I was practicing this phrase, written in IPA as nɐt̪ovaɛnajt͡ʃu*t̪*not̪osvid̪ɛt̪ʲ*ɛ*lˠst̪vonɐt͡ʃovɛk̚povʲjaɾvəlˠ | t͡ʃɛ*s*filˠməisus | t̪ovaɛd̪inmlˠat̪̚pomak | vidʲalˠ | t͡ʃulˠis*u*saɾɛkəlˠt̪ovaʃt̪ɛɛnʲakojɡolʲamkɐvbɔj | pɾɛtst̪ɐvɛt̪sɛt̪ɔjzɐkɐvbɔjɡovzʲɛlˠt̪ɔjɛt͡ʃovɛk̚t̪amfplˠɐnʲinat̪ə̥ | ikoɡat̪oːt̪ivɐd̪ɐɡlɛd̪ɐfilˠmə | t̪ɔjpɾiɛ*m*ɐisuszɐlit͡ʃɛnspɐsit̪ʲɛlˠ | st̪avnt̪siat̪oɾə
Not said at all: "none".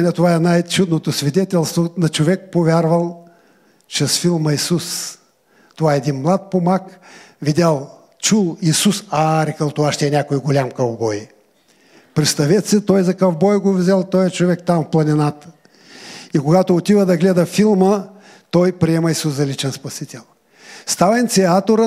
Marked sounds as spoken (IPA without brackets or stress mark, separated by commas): d̪, ɛ, s, u, m